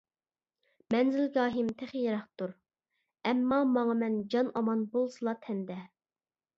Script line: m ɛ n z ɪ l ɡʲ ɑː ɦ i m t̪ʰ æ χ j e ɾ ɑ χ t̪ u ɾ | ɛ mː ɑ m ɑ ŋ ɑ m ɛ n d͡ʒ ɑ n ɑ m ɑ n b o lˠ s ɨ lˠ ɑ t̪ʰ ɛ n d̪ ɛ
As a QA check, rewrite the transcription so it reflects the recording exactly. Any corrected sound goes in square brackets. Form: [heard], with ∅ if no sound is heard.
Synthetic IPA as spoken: m ɛ n z ɪ l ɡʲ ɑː ɦ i m t̪ʰ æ χ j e ɾ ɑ χ t̪ u ɾ | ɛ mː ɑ m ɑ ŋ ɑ m ɛ n d͡ʒ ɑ n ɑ m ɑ n b o lˠ s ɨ lˠ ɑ t̪ʰ ɛ n d̪ ɛ